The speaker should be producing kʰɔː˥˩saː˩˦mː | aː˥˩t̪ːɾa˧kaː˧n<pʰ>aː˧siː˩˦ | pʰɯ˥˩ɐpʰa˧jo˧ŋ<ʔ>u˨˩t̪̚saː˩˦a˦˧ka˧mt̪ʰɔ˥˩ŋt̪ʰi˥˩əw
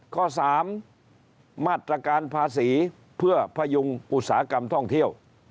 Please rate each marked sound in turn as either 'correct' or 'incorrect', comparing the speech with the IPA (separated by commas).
correct, correct